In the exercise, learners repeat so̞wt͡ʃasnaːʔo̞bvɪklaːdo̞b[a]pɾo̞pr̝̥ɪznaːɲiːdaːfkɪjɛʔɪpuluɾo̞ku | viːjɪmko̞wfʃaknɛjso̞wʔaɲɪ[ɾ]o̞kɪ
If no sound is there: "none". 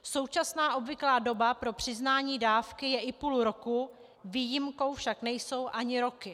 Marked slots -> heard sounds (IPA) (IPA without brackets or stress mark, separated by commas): a, ɾ